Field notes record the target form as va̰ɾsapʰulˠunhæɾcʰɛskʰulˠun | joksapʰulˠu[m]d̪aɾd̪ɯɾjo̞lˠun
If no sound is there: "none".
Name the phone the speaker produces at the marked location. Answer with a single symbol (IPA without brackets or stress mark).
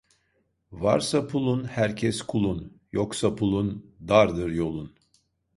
n